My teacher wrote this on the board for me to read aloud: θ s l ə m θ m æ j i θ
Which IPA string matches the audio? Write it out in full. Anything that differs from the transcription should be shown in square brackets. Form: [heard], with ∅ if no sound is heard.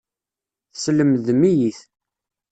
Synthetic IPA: θ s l ə m [ð] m [i] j i θ

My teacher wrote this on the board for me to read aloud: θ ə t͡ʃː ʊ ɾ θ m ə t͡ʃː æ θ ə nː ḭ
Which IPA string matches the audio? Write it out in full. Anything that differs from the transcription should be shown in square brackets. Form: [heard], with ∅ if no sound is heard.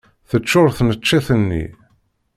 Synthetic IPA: θ ə t͡ʃː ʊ ɾ θ [n] ə t͡ʃː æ θ ə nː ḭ

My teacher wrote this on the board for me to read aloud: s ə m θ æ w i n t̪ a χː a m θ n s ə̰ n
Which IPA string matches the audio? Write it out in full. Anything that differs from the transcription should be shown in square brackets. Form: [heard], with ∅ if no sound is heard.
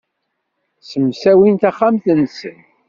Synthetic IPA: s ə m [s] æ w i n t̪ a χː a m θ n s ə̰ n

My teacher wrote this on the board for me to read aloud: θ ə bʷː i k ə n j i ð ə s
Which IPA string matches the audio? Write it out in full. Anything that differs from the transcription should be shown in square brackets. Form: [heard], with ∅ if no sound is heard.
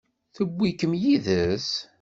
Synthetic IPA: θ ə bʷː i k ə [m] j i ð ə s

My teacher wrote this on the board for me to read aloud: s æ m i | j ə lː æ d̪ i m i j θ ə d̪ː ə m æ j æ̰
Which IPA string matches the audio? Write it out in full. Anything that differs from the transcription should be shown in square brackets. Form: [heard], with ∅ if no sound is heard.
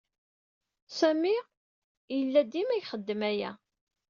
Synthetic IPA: s æ m i | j ə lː æ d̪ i m [æ] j [χ] ə d̪ː ə m æ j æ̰

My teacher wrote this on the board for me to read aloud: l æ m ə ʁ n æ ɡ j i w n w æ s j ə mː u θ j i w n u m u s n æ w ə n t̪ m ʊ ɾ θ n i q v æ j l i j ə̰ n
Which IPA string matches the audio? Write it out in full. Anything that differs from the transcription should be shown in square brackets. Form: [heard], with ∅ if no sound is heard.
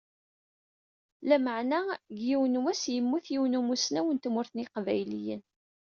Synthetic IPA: l æ m ə [ʕ] n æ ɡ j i w n w æ s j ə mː u θ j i w n u m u s n æ w ə n t̪ m ʊ ɾ θ n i q v æ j l i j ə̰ n

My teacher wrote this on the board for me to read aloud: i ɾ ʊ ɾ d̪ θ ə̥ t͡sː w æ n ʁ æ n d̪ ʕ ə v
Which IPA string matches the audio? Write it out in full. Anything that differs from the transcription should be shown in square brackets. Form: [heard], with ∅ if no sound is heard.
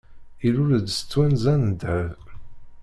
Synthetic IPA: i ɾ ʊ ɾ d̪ [s] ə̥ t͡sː w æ n [z] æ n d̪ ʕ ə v

